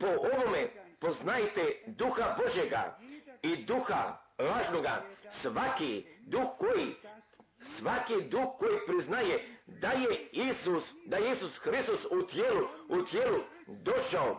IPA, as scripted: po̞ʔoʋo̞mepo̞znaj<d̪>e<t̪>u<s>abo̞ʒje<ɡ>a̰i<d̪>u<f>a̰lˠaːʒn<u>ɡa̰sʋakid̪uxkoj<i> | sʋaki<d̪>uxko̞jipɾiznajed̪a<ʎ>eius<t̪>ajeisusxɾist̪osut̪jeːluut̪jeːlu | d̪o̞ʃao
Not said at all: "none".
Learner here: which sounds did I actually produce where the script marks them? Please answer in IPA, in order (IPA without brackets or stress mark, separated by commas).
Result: t̪, d̪, x, ɡ, d̪, x, o, i, d̪, j, d̪